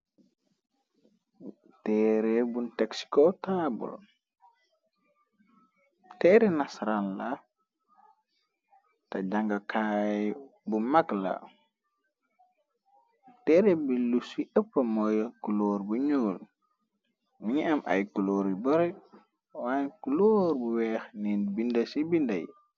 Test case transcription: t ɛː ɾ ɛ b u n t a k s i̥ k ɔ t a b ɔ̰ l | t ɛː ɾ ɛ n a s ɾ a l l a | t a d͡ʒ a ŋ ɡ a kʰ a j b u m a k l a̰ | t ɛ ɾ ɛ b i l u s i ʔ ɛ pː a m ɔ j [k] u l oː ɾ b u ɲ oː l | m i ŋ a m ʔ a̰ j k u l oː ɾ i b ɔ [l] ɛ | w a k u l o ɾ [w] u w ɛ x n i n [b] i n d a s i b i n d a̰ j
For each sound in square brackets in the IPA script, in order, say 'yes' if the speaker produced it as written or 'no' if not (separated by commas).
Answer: yes, no, no, yes